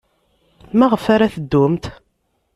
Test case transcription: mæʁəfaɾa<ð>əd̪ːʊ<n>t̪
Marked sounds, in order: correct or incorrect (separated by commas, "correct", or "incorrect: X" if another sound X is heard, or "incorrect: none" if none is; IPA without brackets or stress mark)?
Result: incorrect: θ, incorrect: m